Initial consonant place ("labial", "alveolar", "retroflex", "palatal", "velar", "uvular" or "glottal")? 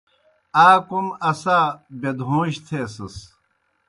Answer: velar